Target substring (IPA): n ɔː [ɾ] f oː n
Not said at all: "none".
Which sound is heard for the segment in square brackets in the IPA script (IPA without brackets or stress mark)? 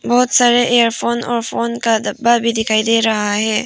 ɾ